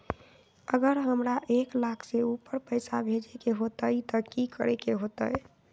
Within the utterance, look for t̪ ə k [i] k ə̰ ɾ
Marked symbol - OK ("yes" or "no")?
yes